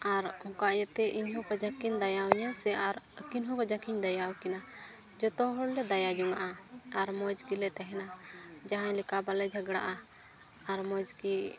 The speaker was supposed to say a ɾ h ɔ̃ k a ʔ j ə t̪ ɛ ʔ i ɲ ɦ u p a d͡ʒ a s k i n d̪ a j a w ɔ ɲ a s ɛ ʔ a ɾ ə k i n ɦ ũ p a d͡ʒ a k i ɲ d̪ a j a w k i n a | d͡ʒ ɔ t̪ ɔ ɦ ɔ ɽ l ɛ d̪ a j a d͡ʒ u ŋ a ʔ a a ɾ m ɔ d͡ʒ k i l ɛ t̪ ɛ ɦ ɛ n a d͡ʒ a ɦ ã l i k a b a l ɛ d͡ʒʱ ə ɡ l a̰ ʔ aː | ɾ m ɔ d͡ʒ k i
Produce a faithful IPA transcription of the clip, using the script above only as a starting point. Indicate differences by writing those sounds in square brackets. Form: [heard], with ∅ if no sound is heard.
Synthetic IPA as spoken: a ɾ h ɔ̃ k a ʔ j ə t̪ ɛ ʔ i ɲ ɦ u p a d͡ʒ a [∅] k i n d̪ a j a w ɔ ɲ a s ɛ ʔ a ɾ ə k i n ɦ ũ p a d͡ʒ a k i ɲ d̪ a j a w k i n a | d͡ʒ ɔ t̪ ɔ ɦ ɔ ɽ l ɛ d̪ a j a d͡ʒ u ŋ a ʔ a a ɾ m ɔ d͡ʒ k i l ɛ t̪ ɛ ɦ ɛ n a d͡ʒ a ɦ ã l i k a b a l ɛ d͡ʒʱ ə ɡ [ɽ] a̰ ʔ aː | ɾ m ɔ d͡ʒ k i

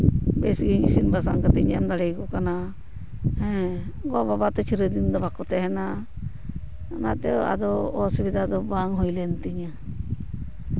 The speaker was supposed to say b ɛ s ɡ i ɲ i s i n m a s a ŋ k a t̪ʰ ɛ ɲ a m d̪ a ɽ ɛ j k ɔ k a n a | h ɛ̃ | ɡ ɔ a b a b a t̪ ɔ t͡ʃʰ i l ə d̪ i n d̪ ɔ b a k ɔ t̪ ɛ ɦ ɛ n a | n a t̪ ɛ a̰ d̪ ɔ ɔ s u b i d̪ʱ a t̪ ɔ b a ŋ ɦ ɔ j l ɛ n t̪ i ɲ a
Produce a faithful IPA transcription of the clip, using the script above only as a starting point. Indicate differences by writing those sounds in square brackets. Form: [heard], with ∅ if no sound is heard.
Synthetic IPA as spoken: b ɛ s ɡ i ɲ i s i n [b] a s a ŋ k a [t̪] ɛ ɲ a m d̪ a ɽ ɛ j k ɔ k a n a | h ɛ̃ | ɡ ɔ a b a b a t̪ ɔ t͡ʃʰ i [ɾ] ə d̪ i n d̪ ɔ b a k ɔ t̪ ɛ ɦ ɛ n a | n a t̪ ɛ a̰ d̪ ɔ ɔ s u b i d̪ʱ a [d̪] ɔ b a ŋ ɦ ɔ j l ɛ n t̪ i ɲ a

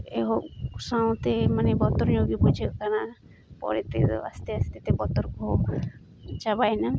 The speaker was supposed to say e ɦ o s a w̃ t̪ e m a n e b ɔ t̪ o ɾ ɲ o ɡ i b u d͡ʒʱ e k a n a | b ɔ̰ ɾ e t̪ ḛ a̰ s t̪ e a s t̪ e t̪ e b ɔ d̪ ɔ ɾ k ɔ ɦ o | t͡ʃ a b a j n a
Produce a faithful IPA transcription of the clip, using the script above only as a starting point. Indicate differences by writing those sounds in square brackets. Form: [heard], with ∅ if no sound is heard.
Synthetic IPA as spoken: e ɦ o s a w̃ t̪ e m a n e b ɔ t̪ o ɾ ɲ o ɡ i b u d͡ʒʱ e k a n a | [p] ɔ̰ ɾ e t̪ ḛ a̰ s t̪ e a s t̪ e t̪ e b ɔ [t̪] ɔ ɾ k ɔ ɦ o | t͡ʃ a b a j n a

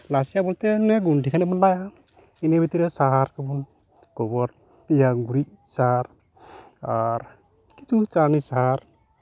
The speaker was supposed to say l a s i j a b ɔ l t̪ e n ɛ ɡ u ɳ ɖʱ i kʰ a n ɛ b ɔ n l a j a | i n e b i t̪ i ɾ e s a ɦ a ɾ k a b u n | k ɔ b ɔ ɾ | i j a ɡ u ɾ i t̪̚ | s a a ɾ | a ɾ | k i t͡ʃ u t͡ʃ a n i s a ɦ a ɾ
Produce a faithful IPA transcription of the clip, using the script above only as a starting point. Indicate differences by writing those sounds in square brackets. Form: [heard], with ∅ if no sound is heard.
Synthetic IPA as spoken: l a s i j a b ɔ l t̪ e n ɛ ɡ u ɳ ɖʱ i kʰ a n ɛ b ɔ n l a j a | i n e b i t̪ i ɾ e s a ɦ a ɾ k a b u n | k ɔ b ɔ ɾ | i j a ɡ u ɾ i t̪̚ | s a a ɾ | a ɾ | k i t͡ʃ u t͡ʃ a n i s a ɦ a ɾ

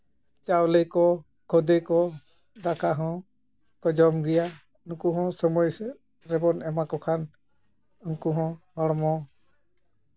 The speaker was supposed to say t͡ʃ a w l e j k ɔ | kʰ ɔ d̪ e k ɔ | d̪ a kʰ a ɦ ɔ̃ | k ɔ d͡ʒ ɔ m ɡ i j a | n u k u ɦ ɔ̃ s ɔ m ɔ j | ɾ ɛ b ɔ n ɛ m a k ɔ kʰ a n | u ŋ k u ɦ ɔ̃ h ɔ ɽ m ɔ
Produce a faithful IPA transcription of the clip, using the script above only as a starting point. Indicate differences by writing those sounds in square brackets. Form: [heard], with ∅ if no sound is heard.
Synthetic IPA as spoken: t͡ʃ a w l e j k ɔ | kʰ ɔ d̪ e k ɔ | d̪ a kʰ a ɦ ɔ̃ | k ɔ d͡ʒ ɔ m ɡ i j a | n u k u ɦ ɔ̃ s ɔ m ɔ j | ɾ ɛ b ɔ n ɛ m a k ɔ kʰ a n | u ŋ k u ɦ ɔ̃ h ɔ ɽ m ɔ

